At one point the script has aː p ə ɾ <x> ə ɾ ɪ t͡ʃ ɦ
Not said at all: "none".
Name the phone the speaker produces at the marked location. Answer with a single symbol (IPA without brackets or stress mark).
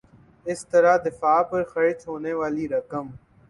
x